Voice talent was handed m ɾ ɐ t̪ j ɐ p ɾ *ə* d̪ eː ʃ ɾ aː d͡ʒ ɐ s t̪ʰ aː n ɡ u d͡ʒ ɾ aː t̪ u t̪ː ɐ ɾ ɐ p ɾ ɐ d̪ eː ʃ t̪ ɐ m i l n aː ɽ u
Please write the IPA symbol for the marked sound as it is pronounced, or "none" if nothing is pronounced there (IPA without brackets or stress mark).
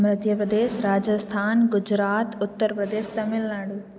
ɐ